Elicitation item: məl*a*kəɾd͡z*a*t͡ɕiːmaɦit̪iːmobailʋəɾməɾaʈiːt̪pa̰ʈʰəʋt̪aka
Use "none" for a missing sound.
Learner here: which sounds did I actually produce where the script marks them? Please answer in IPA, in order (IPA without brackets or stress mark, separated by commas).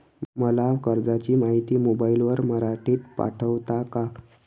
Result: a, a